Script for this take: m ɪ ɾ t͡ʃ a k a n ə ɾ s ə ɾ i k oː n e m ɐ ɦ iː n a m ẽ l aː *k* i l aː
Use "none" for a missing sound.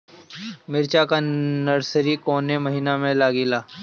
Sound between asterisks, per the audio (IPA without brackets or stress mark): ɡ